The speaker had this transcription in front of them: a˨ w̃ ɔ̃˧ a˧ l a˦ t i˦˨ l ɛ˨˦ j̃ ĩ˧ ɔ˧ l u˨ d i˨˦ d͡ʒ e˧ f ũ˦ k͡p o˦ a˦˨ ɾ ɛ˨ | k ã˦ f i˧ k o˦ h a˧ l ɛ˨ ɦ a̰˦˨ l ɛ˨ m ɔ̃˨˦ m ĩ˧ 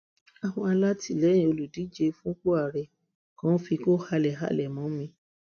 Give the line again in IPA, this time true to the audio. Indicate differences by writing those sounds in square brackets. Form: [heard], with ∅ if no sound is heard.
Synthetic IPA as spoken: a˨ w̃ ɔ̃˧ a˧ l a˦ t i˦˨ l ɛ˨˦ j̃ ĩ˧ [o˧] l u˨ d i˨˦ d͡ʒ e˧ f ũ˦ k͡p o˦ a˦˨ ɾ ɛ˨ | k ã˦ f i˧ k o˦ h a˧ l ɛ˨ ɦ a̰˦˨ l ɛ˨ m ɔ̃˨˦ m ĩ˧